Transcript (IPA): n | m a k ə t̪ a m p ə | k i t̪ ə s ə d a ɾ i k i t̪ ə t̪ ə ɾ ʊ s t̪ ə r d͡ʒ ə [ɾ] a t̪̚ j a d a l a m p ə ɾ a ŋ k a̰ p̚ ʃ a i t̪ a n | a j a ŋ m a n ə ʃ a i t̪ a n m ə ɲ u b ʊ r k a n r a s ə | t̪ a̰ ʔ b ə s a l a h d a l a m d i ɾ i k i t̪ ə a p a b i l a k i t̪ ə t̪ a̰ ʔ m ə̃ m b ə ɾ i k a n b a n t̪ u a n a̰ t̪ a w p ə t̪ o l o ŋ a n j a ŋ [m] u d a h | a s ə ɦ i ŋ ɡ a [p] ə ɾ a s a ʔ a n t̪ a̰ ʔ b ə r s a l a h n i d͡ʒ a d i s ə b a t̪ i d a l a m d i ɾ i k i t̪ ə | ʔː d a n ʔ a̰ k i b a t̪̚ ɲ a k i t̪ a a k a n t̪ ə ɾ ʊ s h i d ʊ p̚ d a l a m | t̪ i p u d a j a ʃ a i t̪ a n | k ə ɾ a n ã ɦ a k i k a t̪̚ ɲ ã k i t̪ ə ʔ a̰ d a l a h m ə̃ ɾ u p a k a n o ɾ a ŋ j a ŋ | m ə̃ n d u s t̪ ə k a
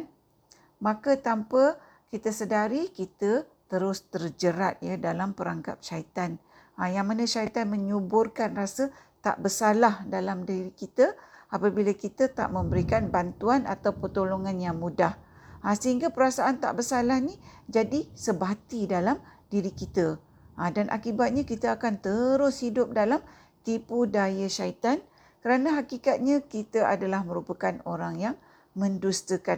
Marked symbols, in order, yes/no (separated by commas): yes, yes, yes